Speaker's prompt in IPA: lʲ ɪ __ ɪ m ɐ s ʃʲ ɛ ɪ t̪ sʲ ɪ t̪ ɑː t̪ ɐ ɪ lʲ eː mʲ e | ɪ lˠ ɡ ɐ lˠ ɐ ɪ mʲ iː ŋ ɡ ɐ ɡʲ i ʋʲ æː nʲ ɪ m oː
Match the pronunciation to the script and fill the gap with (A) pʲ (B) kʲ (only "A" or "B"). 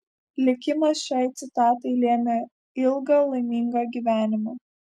B